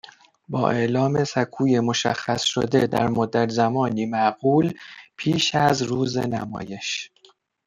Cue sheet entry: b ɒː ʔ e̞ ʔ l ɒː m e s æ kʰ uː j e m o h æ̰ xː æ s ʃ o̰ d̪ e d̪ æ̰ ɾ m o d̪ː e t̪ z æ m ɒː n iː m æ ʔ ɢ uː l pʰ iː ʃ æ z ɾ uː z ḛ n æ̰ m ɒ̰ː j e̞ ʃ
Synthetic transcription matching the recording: b ɒː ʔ e̞ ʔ l ɒː m e s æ kʰ uː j e m o ʃ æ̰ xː æ s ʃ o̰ d̪ e d̪ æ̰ ɾ m o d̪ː æ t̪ z æ m ɒː n iː m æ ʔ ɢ uː l pʰ iː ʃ æ z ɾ uː z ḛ n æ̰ m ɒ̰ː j e̞ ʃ